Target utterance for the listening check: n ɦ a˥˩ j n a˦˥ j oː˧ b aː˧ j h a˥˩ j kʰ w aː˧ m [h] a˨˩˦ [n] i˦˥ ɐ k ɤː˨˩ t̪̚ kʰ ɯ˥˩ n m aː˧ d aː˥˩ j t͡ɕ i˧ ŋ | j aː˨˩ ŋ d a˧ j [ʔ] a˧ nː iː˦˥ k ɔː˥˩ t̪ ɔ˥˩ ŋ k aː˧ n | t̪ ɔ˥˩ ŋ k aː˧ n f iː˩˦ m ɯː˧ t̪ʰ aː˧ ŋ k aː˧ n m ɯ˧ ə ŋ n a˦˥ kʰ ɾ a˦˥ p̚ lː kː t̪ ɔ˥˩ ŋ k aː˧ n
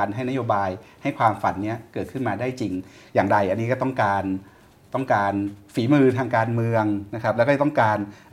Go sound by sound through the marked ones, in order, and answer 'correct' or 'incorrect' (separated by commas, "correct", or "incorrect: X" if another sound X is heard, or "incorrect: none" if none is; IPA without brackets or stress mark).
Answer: incorrect: f, incorrect: nː, correct